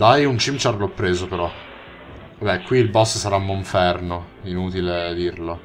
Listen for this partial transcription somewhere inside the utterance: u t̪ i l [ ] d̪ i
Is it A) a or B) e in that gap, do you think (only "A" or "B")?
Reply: B